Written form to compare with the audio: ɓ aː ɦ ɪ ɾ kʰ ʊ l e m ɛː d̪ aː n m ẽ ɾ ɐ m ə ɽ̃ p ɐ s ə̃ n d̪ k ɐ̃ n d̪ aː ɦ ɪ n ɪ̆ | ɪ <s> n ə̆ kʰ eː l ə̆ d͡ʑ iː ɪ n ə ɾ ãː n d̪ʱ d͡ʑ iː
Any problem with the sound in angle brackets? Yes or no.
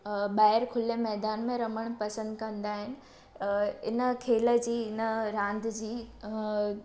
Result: yes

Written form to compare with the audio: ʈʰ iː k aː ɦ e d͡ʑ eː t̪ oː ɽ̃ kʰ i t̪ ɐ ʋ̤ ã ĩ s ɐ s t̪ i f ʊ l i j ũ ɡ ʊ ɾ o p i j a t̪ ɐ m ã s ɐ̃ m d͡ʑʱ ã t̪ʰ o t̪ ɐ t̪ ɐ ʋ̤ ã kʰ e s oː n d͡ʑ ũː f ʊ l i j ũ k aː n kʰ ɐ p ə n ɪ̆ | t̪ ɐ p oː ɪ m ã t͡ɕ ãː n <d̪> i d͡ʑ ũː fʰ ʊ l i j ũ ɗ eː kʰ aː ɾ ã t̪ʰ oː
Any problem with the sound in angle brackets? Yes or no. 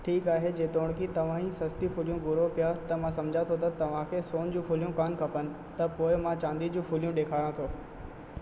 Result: no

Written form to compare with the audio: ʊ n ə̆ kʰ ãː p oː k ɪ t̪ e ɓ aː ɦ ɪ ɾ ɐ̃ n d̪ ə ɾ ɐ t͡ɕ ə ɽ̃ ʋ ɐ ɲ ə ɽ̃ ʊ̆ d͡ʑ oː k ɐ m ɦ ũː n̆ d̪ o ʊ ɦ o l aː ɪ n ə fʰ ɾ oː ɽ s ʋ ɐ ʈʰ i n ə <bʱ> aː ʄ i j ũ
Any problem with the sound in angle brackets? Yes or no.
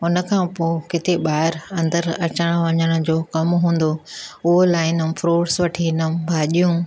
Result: no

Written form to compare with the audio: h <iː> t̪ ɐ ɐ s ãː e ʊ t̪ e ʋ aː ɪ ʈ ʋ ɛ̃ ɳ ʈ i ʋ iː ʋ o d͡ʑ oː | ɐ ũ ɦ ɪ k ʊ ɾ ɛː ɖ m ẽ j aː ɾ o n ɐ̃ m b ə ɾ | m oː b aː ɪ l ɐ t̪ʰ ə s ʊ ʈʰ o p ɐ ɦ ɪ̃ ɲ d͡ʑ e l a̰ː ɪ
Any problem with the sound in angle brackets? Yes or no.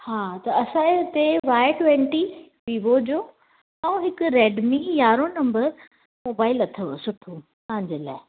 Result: yes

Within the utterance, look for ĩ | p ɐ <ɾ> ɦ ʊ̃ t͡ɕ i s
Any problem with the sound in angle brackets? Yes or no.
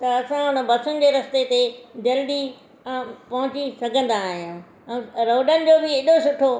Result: yes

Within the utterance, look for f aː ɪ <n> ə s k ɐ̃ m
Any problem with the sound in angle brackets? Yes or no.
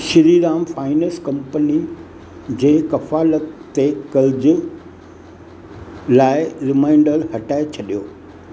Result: no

